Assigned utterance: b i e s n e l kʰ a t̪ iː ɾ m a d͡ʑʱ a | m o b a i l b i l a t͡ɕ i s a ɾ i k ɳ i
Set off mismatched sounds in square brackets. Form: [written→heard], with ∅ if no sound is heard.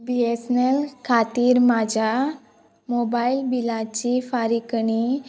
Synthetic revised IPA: b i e s n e l kʰ a t̪ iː ɾ m a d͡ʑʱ a | m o b a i l b i l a t͡ɕ i [s→f] a ɾ i k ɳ i